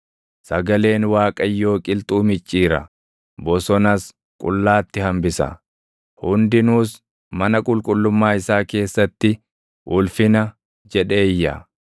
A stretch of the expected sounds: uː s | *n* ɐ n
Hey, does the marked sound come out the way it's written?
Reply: no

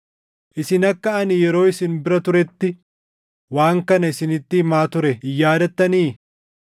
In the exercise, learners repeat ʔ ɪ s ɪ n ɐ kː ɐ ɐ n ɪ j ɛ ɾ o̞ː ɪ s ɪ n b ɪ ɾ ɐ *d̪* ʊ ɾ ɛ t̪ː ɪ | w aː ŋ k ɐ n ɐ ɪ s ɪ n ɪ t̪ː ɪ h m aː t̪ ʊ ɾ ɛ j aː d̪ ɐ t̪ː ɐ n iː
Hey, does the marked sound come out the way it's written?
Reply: no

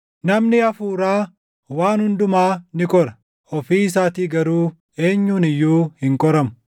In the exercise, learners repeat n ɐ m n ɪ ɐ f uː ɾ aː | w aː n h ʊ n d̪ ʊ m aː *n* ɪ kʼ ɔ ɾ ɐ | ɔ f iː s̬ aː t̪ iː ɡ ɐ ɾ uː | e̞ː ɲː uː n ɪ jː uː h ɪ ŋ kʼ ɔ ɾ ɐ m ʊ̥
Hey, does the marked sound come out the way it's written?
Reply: yes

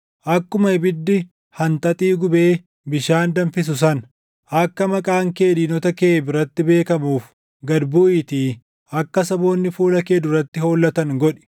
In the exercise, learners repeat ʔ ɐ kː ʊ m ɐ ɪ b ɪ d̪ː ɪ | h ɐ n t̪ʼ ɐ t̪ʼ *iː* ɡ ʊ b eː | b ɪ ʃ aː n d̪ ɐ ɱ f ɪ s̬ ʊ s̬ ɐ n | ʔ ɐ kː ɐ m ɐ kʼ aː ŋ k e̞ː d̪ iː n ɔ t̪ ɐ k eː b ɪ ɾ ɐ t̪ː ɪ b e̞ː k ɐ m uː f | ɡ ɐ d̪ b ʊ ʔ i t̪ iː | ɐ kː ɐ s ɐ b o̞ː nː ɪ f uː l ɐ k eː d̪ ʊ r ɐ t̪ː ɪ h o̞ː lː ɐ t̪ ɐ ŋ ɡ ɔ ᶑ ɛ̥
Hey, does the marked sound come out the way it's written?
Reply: yes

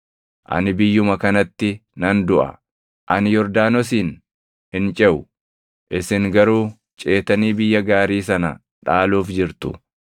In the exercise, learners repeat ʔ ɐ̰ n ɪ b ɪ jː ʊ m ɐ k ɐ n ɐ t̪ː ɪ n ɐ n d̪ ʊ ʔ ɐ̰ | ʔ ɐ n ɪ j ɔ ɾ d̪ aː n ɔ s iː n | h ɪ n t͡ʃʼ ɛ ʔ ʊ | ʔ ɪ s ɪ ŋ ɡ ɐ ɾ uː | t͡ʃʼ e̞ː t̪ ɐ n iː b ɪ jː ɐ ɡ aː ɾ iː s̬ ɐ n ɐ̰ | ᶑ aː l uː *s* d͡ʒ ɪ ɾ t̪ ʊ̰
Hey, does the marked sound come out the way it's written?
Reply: no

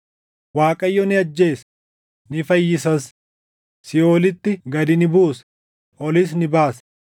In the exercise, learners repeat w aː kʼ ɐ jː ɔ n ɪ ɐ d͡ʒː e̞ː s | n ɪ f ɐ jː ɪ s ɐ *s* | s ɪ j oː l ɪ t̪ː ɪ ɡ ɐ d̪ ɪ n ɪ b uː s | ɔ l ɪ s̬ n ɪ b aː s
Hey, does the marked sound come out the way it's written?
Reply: yes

